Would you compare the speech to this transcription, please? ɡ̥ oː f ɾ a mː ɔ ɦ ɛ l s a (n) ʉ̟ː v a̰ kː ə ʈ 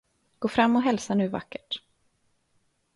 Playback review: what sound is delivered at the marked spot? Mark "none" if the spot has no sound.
n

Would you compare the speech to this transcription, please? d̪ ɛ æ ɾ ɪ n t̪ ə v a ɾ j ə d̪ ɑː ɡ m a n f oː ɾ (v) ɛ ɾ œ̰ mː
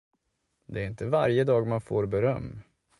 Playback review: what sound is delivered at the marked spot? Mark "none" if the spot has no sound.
b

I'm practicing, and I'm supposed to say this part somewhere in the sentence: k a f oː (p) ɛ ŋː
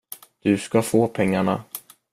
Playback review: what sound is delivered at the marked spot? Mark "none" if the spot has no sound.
pʰ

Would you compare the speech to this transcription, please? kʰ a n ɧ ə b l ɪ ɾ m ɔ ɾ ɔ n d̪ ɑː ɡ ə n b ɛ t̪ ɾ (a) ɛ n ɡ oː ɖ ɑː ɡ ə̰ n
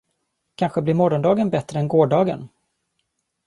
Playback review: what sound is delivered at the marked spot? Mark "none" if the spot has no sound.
ə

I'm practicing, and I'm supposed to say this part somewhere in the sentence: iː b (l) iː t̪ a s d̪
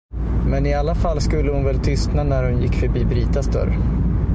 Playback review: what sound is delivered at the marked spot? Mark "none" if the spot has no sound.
ɾ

